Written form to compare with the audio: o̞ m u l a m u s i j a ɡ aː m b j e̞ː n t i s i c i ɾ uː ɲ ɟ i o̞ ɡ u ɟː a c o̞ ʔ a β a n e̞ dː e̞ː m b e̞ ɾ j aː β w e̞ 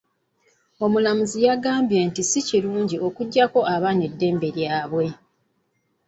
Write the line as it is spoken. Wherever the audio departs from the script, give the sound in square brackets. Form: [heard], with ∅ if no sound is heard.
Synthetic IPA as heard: o̞ m u l a m u [z] i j a ɡ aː m b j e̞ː n t i s i c i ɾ uː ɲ ɟ i o̞ [k] u ɟː a [k] o̞ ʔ a β a n e̞ dː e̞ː m b e̞ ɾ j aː β w e̞

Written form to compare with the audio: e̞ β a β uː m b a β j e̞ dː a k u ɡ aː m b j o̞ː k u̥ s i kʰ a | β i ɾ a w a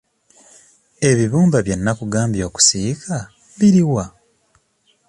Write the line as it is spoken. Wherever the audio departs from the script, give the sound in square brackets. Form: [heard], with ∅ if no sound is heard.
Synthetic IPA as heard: e̞ β [i] β uː m b a β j e̞ [nː] a k u ɡ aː m b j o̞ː k u̥ s i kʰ a | β i ɾ [i] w a

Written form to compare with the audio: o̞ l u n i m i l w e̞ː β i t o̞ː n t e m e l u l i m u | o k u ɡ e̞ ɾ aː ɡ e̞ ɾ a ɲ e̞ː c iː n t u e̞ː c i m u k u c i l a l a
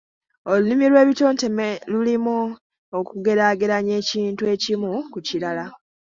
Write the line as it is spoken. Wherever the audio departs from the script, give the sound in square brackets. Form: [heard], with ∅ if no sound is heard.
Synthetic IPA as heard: o̞ l u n i m i l w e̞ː β i t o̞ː n t e m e l u l i m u | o k u ɡ e̞ ɾ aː ɡ e̞ ɾ a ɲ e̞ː c iː n t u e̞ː c i m u k u c i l a l a

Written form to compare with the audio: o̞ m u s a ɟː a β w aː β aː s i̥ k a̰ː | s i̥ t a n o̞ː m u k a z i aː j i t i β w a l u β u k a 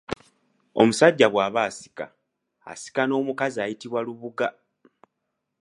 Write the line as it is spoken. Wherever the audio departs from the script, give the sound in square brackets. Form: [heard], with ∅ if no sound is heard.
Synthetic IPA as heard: o̞ m u s a ɟː a β w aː β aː s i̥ k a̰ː | s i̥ [k] a n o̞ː m u k a z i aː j i t i β w a l u β u [ɡ] a

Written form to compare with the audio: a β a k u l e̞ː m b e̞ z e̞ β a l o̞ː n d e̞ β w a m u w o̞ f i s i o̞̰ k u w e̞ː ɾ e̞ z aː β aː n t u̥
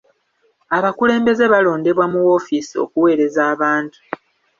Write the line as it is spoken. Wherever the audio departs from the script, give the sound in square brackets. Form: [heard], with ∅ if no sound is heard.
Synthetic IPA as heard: a β a k u l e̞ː m b e̞ z e̞ β a l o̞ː n d e̞ β w a m u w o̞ f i s i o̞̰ k u w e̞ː ɾ e̞ z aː β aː n t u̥

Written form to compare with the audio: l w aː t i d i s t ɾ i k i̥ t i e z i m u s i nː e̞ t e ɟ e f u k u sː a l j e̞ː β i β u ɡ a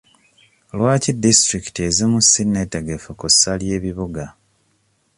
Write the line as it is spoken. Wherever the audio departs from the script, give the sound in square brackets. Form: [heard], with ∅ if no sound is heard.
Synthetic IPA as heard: l w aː [c] i d i s t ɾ i k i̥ t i e z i m u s i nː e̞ t e [ɡ] e f u k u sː a l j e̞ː β i β u ɡ a

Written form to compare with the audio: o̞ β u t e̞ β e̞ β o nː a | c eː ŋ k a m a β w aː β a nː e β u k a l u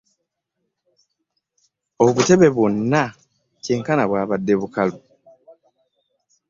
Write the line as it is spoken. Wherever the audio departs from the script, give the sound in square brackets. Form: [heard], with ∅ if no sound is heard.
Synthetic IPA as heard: o̞ β u t e̞ β e̞ β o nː a | c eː ŋ k a [n] a β w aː β a [dː] e β u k a l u

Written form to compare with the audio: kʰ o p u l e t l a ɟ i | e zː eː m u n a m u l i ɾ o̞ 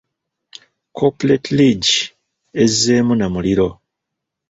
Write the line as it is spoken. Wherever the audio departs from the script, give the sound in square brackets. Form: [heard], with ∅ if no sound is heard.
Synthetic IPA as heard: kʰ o p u l e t l [i] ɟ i | e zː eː m u n a m u l i ɾ o̞

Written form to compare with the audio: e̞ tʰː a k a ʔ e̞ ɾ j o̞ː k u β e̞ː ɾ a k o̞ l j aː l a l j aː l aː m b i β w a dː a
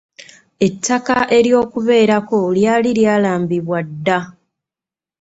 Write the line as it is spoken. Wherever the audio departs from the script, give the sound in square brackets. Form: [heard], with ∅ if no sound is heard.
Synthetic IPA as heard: e̞ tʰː a k a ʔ e̞ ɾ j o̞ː k u β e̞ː ɾ a k o̞ l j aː l [i] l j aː l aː m b i β w a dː a

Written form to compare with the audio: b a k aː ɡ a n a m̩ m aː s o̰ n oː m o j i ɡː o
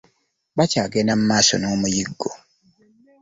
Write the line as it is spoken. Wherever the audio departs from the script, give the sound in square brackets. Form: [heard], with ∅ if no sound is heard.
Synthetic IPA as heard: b a [c] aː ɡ [e] n a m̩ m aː s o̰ n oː m [u] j i ɡː o

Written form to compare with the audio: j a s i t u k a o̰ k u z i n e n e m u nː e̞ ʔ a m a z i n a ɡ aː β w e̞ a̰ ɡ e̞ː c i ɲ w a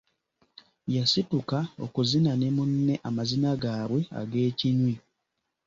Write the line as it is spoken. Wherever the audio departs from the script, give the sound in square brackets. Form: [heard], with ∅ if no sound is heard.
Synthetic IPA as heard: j a s i t u k a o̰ k u z i n [a] n e m u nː e̞ ʔ a m a z i n a ɡ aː β w e̞ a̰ ɡ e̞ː c i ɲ w [i]

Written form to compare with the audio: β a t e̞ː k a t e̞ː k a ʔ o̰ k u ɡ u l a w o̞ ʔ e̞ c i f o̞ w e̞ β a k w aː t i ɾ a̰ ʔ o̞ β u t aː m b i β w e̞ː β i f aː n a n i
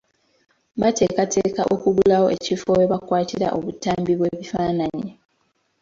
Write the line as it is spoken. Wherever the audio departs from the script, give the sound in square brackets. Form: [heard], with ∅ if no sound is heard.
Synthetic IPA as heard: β a t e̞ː k a t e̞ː k a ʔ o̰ k u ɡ u l a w o̞ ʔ e̞ c i f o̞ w e̞ β a k w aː t i ɾ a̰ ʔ o̞ β u t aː m b i β w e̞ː β i f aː n a [ɲ] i

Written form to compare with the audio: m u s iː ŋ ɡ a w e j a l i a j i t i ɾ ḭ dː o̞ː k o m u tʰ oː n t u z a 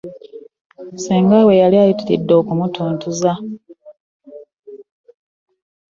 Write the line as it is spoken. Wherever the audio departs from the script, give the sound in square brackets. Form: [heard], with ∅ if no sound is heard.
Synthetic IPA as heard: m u s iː ŋ ɡ a w e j a l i a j i t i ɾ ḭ dː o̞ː k [u] m u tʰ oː n t u z a

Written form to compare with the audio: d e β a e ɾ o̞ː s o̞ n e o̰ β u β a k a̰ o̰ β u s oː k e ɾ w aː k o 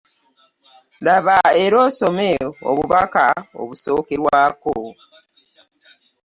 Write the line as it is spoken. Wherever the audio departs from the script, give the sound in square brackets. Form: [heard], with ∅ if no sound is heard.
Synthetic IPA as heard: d [a] β a e ɾ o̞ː s o̞ [m] e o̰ β u β a k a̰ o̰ β u s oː k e ɾ w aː k o

